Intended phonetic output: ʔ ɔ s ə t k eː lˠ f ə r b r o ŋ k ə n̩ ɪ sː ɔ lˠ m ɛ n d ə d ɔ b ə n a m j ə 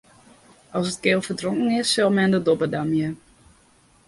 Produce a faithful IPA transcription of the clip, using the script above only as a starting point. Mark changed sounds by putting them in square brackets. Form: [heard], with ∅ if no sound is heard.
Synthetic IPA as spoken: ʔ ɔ s ə t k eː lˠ f ə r [d] r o ŋ k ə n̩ ɪ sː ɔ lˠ m ɛ n d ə d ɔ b ə [d] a m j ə